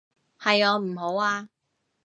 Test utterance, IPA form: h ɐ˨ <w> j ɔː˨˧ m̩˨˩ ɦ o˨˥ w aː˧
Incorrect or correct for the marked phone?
incorrect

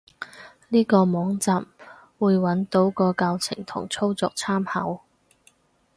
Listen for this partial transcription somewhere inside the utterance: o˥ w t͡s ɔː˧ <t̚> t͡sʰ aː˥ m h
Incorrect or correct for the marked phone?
incorrect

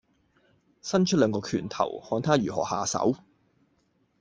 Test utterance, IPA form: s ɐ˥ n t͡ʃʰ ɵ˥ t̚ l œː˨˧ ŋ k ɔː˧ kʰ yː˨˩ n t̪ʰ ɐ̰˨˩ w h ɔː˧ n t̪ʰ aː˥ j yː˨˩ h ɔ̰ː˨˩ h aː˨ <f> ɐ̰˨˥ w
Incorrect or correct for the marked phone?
incorrect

